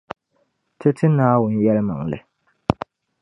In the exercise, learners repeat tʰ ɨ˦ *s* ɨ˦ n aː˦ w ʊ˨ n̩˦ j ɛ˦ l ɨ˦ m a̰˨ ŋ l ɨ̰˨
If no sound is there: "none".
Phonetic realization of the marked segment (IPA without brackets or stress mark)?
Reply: t